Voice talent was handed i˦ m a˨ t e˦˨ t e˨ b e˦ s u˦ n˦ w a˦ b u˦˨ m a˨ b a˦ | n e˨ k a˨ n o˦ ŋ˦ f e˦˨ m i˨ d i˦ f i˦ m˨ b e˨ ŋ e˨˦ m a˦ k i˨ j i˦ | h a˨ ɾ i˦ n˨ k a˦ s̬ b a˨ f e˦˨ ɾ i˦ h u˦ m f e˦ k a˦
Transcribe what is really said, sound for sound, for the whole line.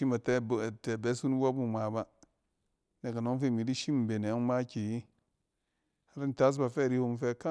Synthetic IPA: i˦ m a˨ t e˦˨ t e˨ b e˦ s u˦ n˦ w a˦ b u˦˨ m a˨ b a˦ | n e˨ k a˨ n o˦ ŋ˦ f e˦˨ m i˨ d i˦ ʃ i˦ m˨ b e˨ n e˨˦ m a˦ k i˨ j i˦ | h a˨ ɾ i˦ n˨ t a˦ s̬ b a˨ f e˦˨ ɾ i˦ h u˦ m f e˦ k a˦